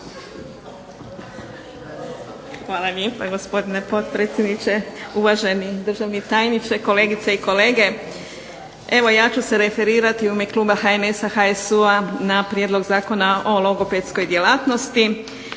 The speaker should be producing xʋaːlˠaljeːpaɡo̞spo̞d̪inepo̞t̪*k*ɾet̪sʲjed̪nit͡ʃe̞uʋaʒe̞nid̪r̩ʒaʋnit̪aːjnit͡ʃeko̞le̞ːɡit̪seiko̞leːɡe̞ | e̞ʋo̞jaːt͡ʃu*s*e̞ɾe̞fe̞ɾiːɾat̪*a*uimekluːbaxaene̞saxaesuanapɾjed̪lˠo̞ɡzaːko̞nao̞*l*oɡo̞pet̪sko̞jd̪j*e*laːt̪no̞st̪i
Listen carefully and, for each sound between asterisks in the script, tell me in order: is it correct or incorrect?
incorrect: p, correct, incorrect: i, correct, correct

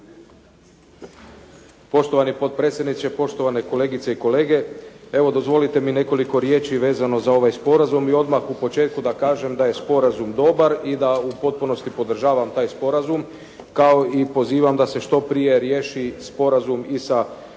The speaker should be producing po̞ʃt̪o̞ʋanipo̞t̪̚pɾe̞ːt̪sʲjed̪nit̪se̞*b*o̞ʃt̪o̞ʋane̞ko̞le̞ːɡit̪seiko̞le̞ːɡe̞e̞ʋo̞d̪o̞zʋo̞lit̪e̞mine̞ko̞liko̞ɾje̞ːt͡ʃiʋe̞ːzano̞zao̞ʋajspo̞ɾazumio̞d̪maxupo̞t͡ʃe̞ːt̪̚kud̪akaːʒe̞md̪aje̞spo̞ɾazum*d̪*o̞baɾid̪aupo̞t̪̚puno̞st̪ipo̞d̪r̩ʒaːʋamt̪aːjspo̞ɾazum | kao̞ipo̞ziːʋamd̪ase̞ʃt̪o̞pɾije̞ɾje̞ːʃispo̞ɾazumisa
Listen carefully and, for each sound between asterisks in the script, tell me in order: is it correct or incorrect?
incorrect: p, correct

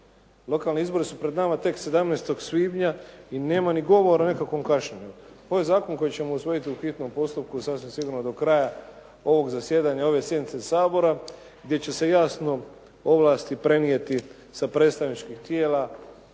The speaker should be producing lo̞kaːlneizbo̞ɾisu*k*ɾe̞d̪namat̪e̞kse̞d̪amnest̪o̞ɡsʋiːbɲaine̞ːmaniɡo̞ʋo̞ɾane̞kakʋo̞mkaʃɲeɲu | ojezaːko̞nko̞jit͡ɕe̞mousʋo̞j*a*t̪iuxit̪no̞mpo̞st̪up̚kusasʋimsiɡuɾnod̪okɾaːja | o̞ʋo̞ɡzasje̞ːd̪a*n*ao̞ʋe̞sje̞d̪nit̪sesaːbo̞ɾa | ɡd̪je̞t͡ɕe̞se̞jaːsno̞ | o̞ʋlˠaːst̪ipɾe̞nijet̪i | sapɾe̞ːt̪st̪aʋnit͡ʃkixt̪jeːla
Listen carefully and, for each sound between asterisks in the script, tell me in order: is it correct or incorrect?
incorrect: p, incorrect: i, incorrect: ɲ

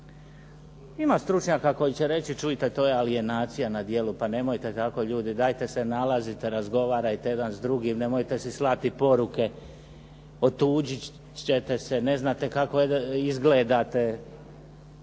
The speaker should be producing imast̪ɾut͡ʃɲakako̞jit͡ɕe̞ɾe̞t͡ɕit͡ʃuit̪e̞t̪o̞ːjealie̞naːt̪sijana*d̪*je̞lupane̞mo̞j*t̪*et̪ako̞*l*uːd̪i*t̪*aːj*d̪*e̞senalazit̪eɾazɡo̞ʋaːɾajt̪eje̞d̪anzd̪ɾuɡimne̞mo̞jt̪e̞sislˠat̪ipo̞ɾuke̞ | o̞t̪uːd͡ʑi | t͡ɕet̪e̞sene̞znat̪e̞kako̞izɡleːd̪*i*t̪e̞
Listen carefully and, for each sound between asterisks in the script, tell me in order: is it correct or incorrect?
correct, correct, incorrect: ʎ, incorrect: d̪, incorrect: t̪, incorrect: a

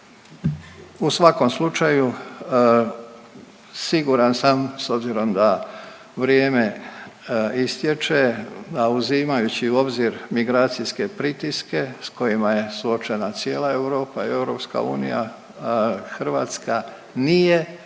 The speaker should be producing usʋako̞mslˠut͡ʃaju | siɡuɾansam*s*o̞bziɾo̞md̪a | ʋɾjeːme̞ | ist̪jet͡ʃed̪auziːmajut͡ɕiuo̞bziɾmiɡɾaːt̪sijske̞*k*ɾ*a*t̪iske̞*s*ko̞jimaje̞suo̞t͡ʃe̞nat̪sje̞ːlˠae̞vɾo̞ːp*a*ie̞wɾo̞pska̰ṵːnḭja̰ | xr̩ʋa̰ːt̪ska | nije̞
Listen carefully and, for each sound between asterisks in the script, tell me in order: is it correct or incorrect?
correct, incorrect: p, incorrect: i, correct, correct

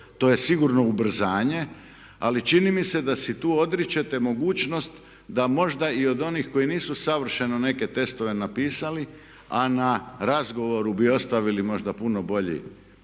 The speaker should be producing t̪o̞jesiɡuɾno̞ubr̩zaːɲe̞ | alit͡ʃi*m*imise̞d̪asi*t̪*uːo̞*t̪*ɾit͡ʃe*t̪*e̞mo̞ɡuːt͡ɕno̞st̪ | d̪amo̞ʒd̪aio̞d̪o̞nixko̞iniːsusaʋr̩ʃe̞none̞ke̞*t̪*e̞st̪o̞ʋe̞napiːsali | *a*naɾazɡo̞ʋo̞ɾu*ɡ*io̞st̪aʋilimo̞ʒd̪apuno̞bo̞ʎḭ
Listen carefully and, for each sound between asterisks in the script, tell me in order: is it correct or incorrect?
incorrect: n, correct, incorrect: d̪, correct, correct, correct, incorrect: b

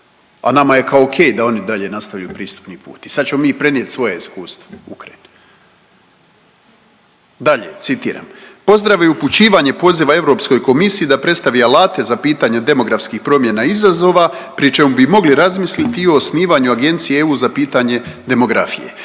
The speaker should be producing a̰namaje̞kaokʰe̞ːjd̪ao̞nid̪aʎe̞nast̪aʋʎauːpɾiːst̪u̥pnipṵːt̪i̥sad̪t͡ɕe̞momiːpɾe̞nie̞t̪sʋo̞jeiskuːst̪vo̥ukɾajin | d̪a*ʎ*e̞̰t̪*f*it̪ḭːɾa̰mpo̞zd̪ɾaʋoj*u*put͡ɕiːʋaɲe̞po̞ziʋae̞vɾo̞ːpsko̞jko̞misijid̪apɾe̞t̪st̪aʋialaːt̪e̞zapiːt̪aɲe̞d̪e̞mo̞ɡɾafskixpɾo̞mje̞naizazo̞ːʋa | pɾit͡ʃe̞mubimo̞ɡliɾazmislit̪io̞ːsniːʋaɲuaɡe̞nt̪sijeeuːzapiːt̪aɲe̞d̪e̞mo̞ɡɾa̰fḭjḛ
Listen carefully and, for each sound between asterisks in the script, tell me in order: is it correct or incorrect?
correct, incorrect: s, correct

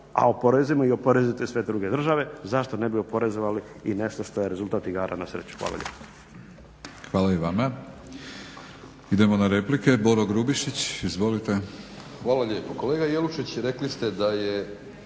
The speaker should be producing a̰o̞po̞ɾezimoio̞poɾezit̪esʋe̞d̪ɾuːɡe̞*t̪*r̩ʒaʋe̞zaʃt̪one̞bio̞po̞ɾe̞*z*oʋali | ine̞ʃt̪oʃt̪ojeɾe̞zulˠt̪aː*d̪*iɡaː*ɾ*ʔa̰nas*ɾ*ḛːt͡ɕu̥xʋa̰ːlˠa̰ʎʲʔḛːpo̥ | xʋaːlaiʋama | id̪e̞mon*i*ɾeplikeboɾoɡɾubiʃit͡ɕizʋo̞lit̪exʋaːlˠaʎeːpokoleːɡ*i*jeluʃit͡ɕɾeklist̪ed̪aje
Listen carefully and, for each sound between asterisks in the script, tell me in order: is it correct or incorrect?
incorrect: d̪, correct, incorrect: t̪, correct, correct, incorrect: a, incorrect: a

